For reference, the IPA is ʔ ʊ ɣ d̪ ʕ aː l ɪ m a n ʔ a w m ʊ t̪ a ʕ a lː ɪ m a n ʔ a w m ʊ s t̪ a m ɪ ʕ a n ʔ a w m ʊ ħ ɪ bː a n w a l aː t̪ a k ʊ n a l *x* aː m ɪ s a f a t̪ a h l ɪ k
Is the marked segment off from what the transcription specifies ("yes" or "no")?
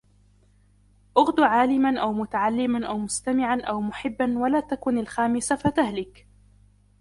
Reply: no